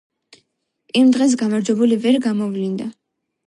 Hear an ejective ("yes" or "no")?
no